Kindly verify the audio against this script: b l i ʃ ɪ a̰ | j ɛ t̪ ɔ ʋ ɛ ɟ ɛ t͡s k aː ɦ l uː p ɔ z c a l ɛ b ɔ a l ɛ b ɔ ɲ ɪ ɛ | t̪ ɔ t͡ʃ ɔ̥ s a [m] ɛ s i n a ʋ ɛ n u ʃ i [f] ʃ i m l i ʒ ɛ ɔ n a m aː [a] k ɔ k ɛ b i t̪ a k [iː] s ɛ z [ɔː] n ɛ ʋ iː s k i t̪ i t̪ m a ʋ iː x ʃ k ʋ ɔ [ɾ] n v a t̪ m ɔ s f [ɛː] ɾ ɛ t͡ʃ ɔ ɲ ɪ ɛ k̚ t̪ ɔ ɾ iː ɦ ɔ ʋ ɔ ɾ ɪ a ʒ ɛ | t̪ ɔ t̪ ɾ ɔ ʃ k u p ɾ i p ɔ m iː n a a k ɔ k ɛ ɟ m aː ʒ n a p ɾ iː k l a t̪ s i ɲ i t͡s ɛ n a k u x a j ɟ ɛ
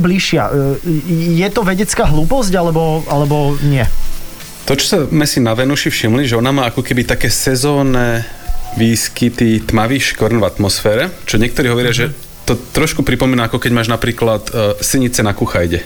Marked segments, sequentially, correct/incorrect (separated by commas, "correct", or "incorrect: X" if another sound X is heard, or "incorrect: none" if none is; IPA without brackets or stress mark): correct, correct, correct, incorrect: ɛː, correct, correct, correct